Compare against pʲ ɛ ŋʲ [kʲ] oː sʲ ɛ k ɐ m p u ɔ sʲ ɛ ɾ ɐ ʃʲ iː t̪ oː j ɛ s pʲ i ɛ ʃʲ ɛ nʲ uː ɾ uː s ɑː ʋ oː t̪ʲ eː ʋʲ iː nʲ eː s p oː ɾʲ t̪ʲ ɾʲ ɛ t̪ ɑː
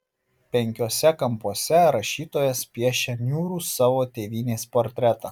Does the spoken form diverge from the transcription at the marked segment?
no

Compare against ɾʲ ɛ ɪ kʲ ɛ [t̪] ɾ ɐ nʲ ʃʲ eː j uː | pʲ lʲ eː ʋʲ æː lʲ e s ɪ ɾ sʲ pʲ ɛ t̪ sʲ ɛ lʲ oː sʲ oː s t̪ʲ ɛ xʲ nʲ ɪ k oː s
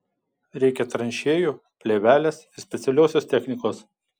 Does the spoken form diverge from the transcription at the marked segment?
no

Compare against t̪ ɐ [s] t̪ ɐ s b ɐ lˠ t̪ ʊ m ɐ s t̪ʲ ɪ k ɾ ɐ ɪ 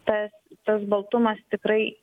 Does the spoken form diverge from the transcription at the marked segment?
no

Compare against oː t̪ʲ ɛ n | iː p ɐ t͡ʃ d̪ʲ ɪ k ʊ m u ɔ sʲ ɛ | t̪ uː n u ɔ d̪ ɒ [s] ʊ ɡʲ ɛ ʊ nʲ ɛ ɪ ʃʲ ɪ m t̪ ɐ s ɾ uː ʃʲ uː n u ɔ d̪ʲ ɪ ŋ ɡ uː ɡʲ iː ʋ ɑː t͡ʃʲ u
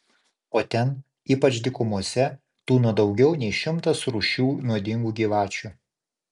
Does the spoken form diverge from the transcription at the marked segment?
yes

